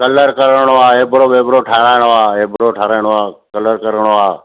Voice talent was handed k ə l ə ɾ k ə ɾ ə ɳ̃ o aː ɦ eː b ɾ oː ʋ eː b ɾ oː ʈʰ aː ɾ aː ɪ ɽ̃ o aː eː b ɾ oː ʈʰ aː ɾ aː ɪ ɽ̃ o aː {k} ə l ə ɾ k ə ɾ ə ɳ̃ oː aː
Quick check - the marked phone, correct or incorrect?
correct